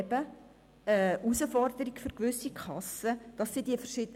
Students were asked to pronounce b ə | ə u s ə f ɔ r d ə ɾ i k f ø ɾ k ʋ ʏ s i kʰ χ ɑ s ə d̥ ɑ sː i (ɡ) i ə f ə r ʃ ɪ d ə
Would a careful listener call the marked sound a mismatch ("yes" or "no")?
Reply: yes